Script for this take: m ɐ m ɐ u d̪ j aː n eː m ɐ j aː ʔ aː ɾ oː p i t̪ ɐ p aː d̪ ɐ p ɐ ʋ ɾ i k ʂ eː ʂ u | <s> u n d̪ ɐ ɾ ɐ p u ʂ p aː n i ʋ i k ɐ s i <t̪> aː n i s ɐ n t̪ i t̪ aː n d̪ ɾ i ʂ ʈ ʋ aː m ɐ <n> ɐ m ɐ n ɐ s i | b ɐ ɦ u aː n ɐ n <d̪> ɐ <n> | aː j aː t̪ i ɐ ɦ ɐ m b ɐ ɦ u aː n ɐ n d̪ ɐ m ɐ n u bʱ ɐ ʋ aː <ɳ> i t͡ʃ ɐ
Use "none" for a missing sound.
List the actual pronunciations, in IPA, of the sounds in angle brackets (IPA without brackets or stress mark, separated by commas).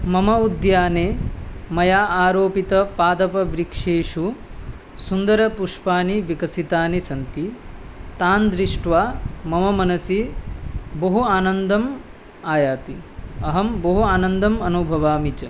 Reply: s, t̪, m, d̪, m, m